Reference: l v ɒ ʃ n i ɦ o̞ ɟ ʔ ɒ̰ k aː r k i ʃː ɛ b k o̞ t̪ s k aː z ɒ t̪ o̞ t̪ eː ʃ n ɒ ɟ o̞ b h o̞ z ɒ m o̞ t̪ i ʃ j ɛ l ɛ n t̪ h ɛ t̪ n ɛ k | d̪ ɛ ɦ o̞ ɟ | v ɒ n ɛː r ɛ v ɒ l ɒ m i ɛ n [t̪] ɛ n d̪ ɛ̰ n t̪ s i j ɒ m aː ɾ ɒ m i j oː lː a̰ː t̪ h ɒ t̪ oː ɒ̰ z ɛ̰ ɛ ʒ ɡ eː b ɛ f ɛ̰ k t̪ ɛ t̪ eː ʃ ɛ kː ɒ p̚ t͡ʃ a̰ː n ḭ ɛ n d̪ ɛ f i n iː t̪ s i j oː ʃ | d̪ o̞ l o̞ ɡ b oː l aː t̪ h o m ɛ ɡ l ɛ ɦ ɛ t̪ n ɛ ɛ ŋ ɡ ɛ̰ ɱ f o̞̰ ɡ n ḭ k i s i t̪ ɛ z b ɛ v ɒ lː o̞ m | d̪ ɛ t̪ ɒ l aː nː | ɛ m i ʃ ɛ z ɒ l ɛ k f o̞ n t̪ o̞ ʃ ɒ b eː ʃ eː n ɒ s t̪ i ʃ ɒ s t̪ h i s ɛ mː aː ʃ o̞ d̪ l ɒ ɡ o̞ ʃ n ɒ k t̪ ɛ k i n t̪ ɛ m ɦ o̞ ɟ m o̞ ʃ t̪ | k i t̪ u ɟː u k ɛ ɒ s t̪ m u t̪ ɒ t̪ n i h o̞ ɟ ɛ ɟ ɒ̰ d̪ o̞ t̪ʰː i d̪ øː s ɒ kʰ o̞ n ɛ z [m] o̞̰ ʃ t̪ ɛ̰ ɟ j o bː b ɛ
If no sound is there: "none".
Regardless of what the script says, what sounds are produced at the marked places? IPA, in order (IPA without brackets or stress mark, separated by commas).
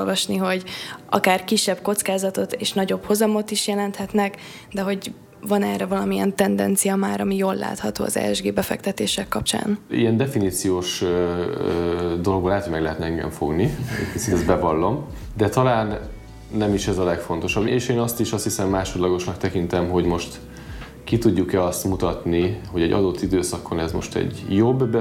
t̪, m